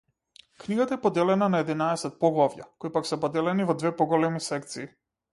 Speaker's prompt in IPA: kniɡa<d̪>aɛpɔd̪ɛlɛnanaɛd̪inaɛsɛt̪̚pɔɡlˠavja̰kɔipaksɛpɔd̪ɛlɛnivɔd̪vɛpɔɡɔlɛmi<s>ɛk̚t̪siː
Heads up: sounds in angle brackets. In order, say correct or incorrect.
incorrect: t̪, correct

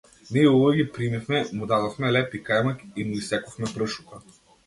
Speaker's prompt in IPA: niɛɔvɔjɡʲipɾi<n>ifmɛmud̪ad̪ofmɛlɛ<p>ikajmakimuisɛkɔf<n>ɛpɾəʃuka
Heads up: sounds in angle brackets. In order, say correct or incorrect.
incorrect: m, correct, incorrect: m

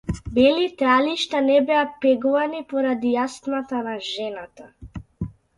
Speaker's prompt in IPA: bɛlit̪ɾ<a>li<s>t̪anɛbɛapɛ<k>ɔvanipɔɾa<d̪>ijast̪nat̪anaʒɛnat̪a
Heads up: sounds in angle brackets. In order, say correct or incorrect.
correct, incorrect: ʃ, incorrect: ɡ, correct

